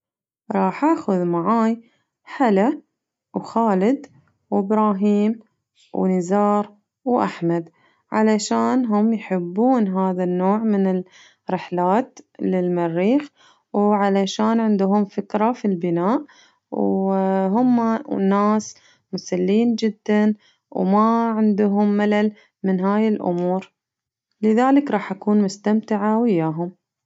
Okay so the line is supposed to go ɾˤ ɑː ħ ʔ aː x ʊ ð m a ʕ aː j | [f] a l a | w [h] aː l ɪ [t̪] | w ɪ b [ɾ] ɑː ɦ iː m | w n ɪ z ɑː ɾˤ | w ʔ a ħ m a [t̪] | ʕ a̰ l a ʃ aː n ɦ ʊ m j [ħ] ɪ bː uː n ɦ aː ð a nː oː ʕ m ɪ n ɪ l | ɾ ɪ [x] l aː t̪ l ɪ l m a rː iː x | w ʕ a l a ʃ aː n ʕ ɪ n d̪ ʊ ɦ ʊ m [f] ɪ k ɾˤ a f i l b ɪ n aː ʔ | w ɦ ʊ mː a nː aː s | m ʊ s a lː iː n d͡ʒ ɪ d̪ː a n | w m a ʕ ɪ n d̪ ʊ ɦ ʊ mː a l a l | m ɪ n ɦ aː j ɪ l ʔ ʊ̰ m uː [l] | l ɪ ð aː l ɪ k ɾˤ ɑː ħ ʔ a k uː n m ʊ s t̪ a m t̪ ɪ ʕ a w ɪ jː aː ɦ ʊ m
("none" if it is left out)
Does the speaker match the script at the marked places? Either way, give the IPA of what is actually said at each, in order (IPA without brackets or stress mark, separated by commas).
ħ, x, d̪, ɾ, d̪, ħ, ħ, f, ɾ